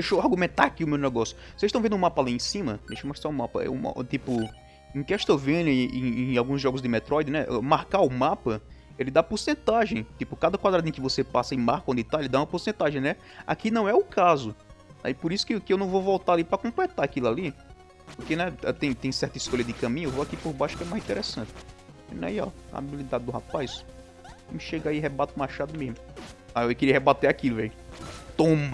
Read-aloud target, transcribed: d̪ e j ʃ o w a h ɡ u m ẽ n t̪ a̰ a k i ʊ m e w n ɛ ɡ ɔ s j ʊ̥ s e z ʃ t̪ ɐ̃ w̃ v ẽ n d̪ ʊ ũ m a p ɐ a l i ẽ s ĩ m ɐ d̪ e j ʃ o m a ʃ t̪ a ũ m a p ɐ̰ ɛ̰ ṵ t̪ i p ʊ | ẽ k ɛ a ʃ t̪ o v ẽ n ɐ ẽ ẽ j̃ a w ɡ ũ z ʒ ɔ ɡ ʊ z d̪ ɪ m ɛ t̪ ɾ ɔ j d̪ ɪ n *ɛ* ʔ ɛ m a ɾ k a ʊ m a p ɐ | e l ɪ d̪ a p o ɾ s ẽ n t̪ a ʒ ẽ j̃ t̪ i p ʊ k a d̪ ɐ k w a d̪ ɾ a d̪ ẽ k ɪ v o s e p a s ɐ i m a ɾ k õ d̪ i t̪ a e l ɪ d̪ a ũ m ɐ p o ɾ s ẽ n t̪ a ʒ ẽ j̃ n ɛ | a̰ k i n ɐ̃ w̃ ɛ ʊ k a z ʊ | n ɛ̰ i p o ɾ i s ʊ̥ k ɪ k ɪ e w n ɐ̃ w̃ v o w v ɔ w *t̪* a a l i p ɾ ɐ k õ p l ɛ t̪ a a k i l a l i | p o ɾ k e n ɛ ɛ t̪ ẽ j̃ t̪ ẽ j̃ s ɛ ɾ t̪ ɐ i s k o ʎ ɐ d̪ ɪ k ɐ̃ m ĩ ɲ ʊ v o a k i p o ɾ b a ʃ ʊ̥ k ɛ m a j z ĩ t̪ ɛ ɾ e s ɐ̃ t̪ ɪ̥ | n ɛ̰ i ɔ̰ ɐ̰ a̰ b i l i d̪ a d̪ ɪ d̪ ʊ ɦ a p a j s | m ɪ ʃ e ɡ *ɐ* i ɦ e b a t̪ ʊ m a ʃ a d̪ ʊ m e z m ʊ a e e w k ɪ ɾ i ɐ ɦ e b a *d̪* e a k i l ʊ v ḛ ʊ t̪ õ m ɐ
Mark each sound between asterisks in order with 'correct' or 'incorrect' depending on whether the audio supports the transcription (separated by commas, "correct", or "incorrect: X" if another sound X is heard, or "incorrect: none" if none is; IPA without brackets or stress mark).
correct, correct, incorrect: a, incorrect: t̪